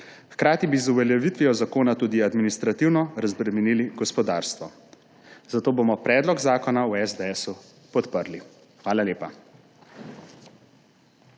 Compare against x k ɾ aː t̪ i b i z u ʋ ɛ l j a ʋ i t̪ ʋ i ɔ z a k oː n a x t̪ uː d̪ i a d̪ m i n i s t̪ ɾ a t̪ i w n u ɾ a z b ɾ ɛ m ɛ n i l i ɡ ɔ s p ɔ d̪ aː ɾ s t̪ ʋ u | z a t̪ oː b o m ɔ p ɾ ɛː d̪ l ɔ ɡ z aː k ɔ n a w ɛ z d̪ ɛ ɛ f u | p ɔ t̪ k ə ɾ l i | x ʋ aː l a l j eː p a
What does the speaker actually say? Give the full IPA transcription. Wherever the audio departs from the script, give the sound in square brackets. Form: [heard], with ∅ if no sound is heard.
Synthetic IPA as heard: x k ɾ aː t̪ i b i z u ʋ ɛ l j [ɛ] ʋ i t̪ ʋ i ɔ z a k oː n a [∅] t̪ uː d̪ i a d̪ m i n i s t̪ ɾ a t̪ i w n [ɔ] ɾ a z b ɾ ɛ m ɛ n i l i ɡ ɔ s p ɔ d̪ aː ɾ s t̪ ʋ [ɔ] | z a t̪ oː b o m ɔ p ɾ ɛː d̪ l ɔ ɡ z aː k ɔ n a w ɛ z d̪ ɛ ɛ [s] u | p ɔ t̪ [p] ə ɾ l i | x ʋ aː l a l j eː p a